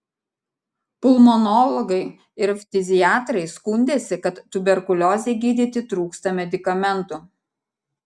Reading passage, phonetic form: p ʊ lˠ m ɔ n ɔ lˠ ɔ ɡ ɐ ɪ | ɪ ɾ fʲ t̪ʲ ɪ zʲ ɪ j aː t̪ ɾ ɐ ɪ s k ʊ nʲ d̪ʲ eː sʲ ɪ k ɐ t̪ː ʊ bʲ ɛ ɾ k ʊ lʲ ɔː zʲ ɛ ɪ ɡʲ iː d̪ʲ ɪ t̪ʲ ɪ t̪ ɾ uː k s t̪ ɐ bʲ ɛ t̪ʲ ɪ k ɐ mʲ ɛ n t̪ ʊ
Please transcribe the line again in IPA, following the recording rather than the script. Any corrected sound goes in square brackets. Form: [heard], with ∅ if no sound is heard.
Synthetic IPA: p ʊ lˠ m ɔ n ɔ lˠ ɔ ɡ ɐ ɪ | ɪ ɾ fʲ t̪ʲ ɪ zʲ ɪ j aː t̪ ɾ ɐ ɪ s k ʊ nʲ d̪ʲ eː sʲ ɪ k ɐ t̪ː ʊ bʲ ɛ ɾ k ʊ lʲ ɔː zʲ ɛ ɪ ɡʲ iː d̪ʲ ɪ t̪ʲ ɪ t̪ ɾ uː k s t̪ ɐ [mʲ] ɛ [d̪ʲ] ɪ k ɐ mʲ ɛ n t̪ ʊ